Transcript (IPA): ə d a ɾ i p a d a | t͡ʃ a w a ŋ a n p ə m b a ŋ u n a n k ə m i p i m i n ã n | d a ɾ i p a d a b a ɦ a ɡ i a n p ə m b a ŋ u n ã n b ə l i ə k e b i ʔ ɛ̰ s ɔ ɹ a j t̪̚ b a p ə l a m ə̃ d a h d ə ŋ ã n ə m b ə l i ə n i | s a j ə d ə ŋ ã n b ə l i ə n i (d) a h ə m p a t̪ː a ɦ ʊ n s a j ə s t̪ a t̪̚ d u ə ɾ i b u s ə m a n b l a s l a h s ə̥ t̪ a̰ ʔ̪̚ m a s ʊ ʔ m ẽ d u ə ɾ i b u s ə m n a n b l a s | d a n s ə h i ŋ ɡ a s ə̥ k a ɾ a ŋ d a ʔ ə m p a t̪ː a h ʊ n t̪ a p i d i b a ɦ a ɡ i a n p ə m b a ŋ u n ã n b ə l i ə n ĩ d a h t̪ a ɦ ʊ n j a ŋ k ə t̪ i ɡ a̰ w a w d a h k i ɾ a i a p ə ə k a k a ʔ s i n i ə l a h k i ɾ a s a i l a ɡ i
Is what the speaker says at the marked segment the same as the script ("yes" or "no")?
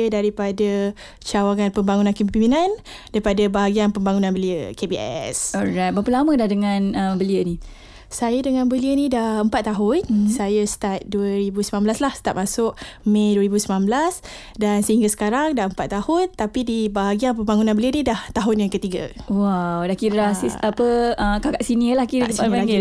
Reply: yes